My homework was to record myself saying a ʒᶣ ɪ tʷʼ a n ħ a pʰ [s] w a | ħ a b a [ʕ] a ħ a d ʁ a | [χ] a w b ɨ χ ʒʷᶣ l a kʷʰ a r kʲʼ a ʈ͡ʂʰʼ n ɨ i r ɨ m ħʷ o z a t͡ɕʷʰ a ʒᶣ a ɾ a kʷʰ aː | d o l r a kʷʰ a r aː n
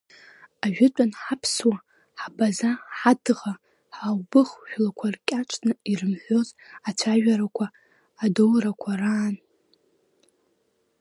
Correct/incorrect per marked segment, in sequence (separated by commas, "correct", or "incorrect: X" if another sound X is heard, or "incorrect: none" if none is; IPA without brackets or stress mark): correct, incorrect: z, incorrect: ħ